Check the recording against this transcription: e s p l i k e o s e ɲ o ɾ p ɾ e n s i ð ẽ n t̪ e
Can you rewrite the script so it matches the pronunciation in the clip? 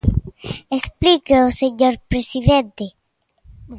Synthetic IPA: e s p l i k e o s e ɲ o ɾ p ɾ e s i ð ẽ n t̪ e